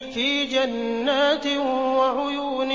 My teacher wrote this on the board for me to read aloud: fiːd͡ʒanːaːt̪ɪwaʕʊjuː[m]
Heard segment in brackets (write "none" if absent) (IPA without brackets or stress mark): n